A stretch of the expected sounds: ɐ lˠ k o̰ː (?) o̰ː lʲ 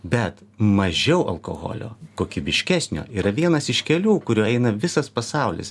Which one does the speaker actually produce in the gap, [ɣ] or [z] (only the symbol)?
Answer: ɣ